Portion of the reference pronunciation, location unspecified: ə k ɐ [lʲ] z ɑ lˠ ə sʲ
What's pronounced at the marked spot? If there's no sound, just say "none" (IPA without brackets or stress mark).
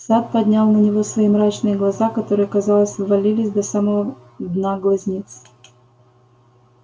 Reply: none